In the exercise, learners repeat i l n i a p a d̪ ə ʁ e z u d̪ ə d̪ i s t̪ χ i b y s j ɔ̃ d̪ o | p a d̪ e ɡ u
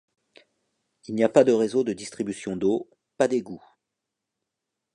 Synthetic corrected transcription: i l n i a p a d̪ ə ʁ e z o d̪ ə d̪ i s t̪ χ i b y s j ɔ̃ d̪ o | p a d̪ e ɡ u